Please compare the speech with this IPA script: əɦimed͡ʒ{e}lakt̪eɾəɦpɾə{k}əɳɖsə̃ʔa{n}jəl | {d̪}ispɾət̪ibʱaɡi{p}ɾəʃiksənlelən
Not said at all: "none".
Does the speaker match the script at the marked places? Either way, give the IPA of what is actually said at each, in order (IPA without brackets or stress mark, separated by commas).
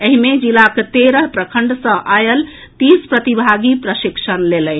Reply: i, kʰ, none, t̪, p